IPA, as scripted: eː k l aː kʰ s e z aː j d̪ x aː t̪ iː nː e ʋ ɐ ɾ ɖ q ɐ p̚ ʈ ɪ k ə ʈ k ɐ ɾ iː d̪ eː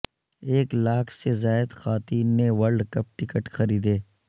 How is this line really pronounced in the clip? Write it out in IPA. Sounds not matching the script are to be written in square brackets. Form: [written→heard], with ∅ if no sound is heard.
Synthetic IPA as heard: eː k l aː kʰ s e z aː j d̪ x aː t̪ iː nː e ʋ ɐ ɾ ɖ [q→k] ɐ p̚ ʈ ɪ k ə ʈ [k→x] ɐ ɾ iː d̪ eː